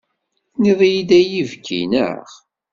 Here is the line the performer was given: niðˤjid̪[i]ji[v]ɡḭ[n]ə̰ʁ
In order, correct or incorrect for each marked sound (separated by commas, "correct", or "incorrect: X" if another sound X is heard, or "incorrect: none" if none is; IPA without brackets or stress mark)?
incorrect: æ, correct, correct